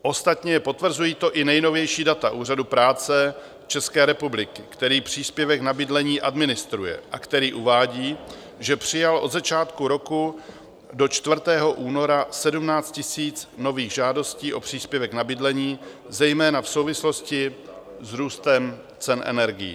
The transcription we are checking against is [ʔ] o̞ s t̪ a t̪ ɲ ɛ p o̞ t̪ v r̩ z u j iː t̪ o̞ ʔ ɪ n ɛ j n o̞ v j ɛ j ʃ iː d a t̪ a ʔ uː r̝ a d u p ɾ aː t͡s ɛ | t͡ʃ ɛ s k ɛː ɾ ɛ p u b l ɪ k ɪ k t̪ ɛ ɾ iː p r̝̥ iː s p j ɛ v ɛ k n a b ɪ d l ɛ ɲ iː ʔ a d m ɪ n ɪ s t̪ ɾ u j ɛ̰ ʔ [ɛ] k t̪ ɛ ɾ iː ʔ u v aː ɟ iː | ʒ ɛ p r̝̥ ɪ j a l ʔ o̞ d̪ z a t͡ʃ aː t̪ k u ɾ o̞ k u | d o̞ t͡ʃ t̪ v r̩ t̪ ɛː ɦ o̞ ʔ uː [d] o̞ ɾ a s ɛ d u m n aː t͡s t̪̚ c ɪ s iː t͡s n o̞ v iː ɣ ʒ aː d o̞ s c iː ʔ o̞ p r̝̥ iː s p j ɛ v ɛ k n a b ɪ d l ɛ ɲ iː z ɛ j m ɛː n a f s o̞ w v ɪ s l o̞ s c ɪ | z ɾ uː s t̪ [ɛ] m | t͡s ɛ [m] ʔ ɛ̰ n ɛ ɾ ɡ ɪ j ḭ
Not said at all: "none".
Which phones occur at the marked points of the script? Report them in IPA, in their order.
ʔ, a, n, ɛ, n

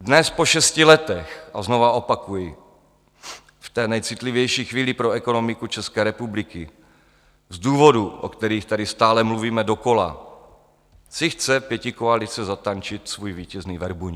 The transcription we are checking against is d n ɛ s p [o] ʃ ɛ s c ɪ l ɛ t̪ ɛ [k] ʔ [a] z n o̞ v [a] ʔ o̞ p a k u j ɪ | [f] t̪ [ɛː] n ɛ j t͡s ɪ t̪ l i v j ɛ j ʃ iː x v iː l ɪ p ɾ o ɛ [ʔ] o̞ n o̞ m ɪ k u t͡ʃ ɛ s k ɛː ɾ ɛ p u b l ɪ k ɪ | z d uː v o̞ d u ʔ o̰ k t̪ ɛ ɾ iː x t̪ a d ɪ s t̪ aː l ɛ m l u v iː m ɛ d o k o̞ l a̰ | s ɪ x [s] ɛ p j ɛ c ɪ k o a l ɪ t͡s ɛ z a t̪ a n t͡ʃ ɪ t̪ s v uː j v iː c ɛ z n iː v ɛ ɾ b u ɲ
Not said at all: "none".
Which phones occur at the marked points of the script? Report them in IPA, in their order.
o, x, a, a, f, ɛː, k, t͡s

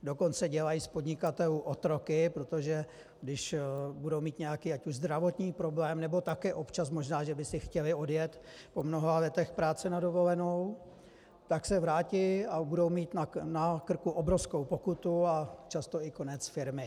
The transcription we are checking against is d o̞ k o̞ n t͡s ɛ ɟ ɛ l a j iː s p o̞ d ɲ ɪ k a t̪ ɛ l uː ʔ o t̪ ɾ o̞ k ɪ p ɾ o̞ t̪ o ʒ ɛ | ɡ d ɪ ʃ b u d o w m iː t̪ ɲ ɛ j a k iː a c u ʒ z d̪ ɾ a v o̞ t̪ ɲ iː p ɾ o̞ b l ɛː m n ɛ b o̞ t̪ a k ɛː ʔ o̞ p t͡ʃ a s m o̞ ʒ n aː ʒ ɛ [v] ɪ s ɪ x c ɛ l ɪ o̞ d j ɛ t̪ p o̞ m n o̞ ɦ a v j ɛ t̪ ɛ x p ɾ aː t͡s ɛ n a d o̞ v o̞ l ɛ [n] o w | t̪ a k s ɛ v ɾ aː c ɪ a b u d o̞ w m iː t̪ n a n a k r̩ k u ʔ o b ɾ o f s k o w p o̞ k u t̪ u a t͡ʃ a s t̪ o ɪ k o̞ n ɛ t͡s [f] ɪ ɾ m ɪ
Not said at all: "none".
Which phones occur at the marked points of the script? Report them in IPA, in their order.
b, n, f

